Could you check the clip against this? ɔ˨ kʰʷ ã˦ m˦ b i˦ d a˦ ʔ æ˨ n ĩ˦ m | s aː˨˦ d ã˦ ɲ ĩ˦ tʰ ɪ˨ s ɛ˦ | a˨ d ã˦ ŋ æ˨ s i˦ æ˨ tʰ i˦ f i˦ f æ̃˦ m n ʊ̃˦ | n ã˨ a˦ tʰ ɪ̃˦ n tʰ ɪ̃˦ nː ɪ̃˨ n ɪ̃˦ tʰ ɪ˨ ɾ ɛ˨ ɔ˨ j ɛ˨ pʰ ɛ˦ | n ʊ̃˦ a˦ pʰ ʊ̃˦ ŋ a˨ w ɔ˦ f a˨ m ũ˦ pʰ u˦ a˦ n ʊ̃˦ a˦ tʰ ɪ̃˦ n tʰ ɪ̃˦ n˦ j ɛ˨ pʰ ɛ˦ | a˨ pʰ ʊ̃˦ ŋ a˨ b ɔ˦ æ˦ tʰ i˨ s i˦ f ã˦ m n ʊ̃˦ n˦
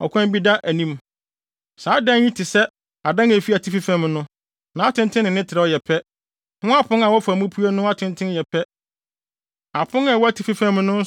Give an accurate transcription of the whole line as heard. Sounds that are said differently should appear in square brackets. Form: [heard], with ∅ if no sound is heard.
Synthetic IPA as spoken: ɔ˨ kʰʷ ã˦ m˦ b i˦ d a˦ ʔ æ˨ n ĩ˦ m | s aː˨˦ d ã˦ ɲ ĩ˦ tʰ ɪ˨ s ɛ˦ | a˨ d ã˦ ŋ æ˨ [f] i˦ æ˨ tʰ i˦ f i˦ f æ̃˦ m n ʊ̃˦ | n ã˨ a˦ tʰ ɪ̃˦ n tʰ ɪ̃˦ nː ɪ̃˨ n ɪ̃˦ tʰ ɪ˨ ɾ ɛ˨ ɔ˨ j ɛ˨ pʰ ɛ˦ | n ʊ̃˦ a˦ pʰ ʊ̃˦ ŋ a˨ w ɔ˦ f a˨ m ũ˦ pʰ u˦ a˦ n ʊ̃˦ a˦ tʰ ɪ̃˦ n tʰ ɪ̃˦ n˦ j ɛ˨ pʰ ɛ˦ | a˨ pʰ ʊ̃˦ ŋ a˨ [w] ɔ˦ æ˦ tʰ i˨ [f] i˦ f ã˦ m n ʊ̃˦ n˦

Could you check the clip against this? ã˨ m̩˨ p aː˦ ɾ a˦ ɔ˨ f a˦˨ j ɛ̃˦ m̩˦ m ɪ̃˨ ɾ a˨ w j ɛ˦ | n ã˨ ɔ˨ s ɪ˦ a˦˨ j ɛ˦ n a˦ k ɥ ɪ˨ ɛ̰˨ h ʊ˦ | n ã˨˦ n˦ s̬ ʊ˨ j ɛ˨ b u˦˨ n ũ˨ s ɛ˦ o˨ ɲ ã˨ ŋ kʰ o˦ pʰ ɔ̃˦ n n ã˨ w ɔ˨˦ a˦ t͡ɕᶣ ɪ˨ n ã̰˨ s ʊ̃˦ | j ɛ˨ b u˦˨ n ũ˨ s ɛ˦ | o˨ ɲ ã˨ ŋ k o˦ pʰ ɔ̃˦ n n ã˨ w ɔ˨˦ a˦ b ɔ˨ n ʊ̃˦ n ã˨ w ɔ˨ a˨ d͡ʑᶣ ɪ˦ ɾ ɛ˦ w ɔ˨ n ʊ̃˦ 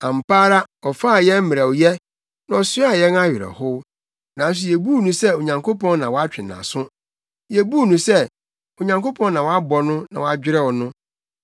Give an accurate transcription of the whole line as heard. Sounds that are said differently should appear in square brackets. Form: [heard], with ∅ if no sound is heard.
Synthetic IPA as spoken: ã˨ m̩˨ p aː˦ ɾ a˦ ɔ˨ f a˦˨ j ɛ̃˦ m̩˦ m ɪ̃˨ ɾ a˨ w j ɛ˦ | n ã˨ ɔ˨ s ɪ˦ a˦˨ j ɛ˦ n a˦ [∅] ɥ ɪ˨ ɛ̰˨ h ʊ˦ | n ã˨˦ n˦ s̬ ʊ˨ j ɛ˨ b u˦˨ n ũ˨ s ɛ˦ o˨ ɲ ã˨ ŋ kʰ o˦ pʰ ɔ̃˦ n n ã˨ w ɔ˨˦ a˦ t͡ɕᶣ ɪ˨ n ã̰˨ s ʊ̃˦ | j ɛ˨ b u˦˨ n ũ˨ s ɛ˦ | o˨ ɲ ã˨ ŋ k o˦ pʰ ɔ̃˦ n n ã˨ w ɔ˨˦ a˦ b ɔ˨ n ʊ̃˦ n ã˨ w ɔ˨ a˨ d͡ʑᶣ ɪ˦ ɾ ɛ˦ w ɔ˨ n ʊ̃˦

